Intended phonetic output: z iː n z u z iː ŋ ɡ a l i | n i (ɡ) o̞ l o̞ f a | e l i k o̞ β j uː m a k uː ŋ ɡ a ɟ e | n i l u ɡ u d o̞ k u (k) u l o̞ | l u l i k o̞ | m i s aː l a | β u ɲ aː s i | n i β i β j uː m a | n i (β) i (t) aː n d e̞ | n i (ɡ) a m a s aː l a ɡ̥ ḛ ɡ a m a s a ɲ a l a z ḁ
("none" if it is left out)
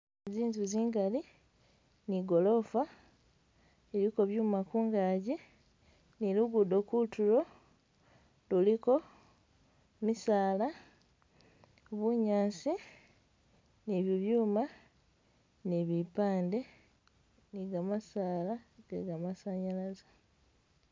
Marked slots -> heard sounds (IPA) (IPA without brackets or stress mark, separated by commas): ɡ, t, β, p, ɡ